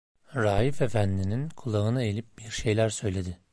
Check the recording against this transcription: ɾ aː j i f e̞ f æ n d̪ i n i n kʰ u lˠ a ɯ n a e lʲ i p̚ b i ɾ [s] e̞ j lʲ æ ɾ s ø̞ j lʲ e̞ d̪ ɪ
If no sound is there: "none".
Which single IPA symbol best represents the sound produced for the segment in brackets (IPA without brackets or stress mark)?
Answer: ʃ